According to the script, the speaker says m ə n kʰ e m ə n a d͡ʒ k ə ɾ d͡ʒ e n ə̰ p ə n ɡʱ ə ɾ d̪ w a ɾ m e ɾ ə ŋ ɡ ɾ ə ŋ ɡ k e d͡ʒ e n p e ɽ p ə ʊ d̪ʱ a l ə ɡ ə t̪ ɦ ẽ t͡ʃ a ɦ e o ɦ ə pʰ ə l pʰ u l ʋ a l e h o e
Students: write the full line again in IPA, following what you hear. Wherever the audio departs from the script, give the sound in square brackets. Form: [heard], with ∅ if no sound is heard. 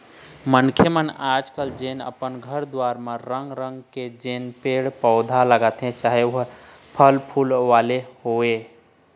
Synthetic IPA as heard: m ə n kʰ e m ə n a d͡ʒ k ə [l] d͡ʒ e n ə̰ p ə n ɡʱ ə ɾ d̪ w a ɾ m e ɾ ə ŋ ɡ ɾ ə ŋ ɡ k e d͡ʒ e n p e ɽ p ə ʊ d̪ʱ a l ə ɡ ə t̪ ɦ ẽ t͡ʃ a ɦ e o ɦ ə pʰ ə l pʰ u l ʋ a l e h o e